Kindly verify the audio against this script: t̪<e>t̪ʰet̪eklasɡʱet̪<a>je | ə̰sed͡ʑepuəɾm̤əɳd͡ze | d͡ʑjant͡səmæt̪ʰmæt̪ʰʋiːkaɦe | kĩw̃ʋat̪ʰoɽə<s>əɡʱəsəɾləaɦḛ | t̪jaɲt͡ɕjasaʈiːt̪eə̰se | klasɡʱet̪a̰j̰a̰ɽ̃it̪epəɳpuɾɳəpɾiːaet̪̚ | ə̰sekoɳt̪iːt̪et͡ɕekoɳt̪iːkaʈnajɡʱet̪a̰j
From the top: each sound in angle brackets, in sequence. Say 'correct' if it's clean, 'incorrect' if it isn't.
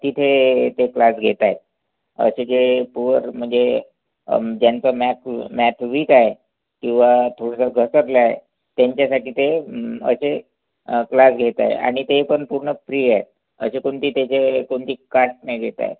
incorrect: i, correct, correct

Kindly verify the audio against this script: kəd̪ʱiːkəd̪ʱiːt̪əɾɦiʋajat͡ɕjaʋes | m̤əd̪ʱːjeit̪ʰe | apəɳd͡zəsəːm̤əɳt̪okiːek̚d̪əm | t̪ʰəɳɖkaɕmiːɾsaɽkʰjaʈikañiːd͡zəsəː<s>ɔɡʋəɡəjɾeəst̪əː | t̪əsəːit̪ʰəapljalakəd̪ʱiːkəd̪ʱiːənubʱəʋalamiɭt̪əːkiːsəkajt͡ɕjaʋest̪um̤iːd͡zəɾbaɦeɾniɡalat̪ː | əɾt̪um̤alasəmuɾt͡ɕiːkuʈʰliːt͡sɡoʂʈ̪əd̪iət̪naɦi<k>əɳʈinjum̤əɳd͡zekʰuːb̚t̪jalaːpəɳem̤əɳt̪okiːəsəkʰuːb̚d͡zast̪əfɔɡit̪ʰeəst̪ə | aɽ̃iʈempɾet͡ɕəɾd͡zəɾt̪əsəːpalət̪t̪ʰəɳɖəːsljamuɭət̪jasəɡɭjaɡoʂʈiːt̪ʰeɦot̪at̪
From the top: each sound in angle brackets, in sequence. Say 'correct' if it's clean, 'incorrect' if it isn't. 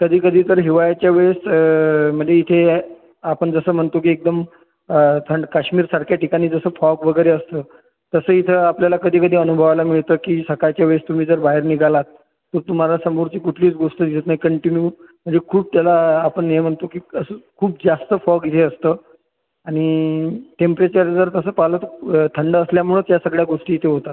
incorrect: f, correct

